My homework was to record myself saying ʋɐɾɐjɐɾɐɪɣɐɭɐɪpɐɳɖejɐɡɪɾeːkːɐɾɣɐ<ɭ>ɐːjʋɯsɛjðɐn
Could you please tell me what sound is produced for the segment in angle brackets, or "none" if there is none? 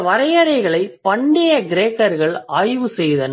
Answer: ɭ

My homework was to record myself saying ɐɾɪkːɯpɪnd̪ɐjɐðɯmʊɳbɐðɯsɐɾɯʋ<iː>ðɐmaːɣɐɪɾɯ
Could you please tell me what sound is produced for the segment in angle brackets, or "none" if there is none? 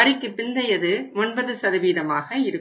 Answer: iː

